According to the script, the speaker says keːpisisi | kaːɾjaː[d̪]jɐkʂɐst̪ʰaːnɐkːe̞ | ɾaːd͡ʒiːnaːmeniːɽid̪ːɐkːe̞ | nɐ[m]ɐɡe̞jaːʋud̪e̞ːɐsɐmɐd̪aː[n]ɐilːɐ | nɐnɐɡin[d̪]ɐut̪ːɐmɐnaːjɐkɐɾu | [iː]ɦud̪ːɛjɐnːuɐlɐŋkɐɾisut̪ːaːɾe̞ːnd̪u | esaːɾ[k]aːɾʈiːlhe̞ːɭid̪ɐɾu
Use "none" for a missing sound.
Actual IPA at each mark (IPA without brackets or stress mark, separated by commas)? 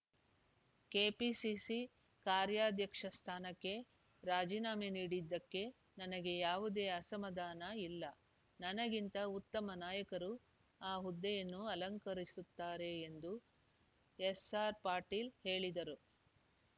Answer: d̪, n, n, t̪, aː, p